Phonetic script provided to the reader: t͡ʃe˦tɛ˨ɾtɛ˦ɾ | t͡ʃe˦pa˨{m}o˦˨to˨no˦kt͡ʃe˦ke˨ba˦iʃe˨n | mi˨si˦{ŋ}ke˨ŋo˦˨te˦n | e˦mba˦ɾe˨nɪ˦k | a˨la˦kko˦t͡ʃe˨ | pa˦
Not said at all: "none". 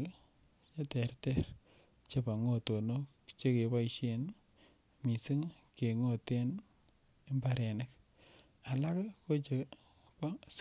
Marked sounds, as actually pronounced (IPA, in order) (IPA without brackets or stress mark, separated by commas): ŋ, ŋ